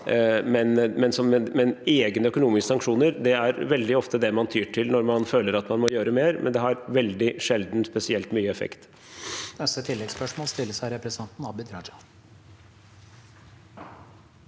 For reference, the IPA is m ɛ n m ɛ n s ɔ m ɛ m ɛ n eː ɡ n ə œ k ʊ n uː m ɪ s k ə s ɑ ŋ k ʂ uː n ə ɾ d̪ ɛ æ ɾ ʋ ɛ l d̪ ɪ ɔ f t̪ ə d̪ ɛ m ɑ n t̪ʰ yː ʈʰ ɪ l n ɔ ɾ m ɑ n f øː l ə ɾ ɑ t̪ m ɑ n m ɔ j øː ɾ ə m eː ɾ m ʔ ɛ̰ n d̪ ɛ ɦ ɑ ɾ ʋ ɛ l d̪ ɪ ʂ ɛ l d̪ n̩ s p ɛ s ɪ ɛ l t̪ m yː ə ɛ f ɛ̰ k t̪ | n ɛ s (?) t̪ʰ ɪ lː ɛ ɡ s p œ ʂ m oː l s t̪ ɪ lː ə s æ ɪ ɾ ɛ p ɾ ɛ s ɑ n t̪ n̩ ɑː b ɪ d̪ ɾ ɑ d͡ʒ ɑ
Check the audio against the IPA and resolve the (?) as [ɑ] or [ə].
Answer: ə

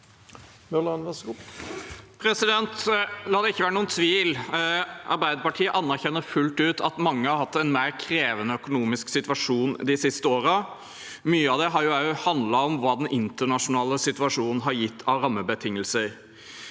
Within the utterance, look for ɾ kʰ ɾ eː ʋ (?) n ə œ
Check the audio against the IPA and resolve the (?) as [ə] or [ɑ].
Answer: ə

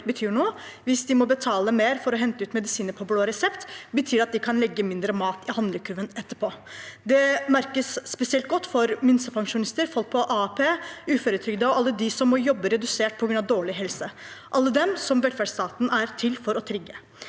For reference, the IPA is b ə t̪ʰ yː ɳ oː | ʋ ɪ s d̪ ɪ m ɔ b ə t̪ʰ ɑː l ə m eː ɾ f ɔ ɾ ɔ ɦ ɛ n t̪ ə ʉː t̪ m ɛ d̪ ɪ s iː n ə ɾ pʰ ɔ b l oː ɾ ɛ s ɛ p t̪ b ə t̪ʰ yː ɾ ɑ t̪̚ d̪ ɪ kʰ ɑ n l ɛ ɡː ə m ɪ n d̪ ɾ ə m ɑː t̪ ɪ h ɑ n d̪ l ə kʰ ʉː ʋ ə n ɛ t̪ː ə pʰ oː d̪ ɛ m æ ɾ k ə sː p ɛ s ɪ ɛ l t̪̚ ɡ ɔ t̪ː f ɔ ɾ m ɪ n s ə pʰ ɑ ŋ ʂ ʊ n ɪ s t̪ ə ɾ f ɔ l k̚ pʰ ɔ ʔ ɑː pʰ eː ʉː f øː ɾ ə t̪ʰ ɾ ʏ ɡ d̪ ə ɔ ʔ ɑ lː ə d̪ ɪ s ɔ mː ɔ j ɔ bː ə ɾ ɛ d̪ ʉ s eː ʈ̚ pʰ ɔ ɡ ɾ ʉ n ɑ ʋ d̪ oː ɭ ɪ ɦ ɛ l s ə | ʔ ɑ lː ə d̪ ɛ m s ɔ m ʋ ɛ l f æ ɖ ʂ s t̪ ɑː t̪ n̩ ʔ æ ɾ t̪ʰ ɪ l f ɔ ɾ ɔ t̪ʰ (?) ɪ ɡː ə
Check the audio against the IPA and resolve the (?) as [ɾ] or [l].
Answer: ɾ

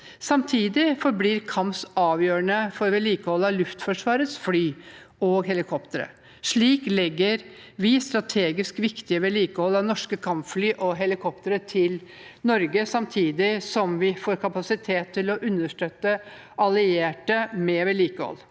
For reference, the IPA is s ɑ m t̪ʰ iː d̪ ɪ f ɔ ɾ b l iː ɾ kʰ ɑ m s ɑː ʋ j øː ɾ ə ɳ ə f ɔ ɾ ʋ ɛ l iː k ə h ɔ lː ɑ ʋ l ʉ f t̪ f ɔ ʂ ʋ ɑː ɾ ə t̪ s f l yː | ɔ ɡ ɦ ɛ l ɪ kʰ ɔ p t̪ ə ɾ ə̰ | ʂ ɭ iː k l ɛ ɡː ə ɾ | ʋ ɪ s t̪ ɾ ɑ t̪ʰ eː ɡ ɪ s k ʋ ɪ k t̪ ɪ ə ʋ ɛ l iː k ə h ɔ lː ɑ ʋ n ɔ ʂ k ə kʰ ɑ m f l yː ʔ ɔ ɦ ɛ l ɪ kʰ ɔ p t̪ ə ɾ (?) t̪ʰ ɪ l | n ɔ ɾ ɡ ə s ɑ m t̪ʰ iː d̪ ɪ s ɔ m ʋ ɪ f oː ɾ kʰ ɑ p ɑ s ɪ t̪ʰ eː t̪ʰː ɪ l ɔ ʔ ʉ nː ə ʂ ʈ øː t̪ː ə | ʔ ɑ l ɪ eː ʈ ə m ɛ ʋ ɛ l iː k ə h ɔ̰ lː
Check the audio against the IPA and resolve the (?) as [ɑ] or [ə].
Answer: ə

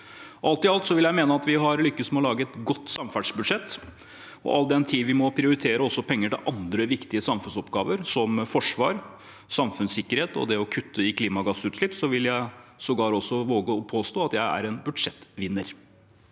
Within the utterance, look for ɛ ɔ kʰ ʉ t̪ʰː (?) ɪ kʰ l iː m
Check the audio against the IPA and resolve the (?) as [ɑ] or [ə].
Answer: ə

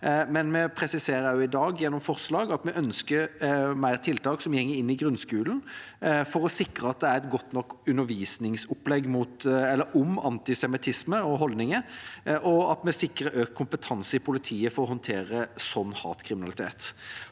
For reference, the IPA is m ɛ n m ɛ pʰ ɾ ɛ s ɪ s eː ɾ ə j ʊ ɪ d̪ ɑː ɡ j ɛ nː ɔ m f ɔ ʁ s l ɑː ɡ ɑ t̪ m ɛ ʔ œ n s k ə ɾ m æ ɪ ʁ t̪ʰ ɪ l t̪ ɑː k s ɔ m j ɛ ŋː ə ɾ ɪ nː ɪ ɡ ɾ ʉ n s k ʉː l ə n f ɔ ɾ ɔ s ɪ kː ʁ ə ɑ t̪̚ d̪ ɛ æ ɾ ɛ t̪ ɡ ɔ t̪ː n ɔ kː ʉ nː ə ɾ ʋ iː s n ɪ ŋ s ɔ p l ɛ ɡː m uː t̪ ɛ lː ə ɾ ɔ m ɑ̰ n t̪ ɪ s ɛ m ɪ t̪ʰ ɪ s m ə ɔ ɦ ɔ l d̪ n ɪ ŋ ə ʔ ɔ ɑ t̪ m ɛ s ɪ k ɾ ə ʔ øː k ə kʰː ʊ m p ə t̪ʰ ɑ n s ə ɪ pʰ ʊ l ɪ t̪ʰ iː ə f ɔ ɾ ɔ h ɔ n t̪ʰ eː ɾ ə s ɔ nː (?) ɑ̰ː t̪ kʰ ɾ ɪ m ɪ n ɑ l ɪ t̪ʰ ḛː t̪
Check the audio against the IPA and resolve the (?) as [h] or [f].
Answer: h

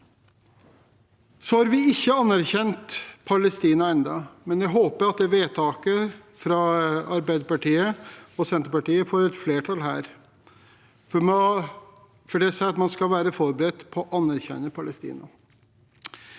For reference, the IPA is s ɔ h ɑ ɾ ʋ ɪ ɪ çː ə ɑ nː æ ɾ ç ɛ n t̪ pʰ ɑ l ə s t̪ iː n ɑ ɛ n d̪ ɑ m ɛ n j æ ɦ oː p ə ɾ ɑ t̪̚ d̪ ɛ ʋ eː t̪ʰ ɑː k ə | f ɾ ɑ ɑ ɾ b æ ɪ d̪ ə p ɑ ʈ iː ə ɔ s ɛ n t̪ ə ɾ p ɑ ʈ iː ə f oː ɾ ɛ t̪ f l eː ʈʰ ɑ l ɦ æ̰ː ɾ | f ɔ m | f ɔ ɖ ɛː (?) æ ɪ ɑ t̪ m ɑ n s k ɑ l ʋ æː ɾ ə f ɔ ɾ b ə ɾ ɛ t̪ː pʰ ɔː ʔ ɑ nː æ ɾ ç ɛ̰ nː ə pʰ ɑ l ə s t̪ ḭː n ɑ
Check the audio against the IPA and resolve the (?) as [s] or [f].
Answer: s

